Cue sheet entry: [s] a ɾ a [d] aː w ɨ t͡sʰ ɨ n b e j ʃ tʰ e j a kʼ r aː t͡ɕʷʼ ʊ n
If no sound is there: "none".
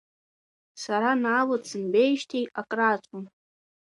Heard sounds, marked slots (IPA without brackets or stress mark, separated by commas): s, n